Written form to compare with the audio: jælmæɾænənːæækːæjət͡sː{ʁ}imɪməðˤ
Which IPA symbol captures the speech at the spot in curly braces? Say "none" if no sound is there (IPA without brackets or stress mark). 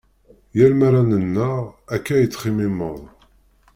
χ